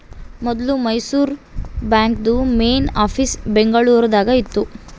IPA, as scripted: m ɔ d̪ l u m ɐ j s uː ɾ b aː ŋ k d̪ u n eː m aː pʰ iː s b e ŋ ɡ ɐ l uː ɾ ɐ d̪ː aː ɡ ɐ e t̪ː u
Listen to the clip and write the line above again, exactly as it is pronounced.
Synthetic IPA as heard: m ɔ d̪ l u m ɐ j s uː ɾ b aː ŋ k d̪ u m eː n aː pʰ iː s b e ŋ ɡ ɐ ɭ uː ɾ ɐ d̪ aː ɡ ɐ i t̪ː u